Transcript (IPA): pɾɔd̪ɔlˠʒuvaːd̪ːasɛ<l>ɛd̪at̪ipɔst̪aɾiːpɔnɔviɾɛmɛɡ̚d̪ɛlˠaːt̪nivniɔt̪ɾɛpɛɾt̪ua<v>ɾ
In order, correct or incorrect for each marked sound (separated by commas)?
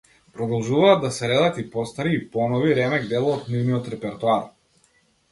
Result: incorrect, incorrect